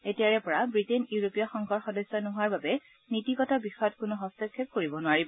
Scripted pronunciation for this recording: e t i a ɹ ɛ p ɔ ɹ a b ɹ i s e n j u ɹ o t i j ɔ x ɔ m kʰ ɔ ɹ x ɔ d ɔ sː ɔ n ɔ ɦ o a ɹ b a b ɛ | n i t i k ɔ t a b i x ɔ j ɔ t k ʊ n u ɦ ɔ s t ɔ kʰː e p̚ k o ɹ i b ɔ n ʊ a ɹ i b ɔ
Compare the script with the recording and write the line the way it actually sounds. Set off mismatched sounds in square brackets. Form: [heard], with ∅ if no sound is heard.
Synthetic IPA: e t i a ɹ ɛ p ɔ ɹ a b ɹ i [t] e n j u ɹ o [p] i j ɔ x ɔ [ŋ] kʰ ɔ ɹ x ɔ d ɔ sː ɔ n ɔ ɦ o a ɹ b a b ɛ | n i t i k ɔ t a b i x ɔ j ɔ t k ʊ n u ɦ ɔ s t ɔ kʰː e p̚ k o ɹ i b ɔ n ʊ a ɹ i b ɔ